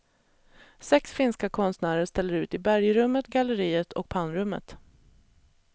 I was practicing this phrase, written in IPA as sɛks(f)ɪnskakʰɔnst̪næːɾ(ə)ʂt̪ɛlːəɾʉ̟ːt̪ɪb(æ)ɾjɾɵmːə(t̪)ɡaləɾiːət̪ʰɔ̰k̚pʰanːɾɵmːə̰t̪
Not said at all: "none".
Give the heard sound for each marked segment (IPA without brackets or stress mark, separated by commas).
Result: f, ə, æ, t̪